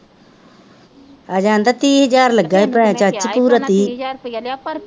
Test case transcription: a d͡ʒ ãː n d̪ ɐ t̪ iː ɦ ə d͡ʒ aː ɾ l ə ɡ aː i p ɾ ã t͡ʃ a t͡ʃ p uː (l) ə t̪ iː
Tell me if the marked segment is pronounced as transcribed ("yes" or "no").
no